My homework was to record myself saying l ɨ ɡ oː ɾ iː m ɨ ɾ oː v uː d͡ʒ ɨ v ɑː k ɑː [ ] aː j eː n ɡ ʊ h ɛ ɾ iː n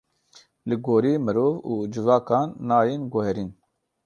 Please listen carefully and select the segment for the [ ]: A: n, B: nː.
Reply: B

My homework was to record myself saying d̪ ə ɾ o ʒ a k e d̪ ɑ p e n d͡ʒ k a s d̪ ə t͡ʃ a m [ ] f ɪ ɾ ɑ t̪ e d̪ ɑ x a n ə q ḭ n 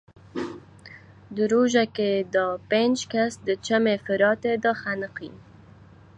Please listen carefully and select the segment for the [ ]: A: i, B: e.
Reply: B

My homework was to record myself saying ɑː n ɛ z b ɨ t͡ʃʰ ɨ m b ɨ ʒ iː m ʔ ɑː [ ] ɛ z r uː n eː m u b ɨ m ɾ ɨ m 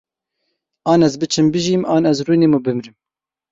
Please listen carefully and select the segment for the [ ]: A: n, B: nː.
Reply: A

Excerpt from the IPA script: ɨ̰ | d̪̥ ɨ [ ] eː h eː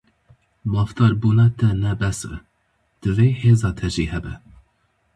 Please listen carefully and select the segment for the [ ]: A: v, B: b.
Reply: A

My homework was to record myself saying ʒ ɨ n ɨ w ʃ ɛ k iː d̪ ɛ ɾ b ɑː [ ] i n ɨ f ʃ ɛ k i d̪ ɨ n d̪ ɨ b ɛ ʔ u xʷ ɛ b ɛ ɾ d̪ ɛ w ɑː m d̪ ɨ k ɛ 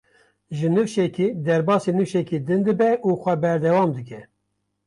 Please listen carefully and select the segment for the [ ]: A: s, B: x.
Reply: A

